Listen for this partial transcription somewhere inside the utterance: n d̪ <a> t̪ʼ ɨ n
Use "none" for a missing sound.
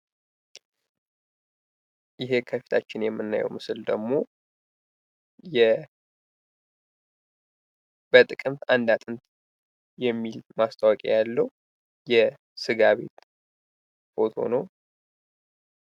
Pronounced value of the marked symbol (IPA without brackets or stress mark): a